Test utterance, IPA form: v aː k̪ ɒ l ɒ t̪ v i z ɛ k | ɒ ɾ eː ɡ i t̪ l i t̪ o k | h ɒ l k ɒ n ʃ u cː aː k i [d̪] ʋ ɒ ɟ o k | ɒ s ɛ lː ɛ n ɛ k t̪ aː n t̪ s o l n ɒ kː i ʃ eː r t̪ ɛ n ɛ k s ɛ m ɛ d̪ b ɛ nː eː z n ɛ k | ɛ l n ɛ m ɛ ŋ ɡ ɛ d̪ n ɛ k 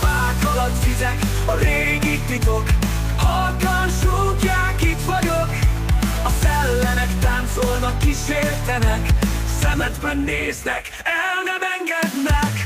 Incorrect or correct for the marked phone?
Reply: incorrect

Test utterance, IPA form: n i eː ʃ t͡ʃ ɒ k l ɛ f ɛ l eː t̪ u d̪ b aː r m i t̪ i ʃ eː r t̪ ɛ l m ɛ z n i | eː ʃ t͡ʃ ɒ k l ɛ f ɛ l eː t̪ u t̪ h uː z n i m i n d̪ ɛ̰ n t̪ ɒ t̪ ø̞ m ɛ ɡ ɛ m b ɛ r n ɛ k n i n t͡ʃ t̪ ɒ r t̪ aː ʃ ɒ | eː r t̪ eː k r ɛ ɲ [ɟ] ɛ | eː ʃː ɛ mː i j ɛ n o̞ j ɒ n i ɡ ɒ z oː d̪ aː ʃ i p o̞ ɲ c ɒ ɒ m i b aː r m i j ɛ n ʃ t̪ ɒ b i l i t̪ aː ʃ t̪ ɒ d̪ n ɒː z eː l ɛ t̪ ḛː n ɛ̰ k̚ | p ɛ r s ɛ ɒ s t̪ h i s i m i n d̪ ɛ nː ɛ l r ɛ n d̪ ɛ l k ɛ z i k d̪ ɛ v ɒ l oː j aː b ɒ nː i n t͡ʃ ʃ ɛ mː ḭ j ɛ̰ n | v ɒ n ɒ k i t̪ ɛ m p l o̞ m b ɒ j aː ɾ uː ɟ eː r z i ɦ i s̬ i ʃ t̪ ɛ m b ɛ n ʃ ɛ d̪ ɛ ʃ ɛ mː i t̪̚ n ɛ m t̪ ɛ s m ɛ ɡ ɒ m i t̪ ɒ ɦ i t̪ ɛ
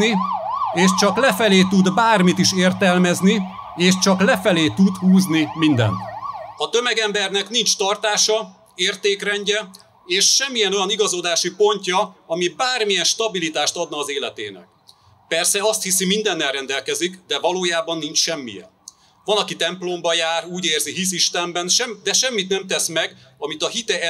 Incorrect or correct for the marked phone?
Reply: correct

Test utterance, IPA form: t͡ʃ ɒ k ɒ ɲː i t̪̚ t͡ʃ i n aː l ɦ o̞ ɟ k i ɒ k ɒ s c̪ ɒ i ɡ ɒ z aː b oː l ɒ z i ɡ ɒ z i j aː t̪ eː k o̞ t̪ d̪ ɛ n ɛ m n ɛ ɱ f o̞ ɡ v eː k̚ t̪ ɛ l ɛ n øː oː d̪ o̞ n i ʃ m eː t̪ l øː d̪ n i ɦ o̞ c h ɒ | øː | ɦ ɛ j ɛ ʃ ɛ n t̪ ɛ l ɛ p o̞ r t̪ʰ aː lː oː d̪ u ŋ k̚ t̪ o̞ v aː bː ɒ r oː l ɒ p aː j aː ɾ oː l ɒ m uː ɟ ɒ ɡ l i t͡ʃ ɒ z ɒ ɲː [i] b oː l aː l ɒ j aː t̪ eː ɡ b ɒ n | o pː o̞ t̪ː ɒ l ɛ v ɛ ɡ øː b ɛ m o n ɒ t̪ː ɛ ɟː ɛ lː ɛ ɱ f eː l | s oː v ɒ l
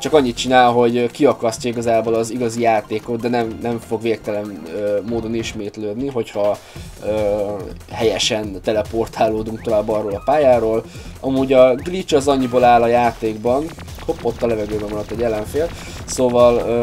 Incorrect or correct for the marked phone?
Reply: correct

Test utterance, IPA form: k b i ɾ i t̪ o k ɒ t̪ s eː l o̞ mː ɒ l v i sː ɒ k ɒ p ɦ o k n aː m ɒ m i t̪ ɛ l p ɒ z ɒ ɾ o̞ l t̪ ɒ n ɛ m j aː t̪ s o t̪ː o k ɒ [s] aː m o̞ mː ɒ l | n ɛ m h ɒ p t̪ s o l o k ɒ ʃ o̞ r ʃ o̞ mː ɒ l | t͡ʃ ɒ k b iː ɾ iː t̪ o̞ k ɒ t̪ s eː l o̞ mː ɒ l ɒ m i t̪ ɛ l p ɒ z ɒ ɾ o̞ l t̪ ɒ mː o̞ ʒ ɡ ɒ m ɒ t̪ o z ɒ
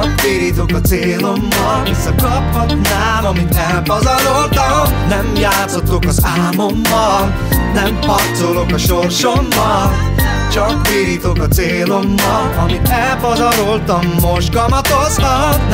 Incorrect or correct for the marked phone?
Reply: incorrect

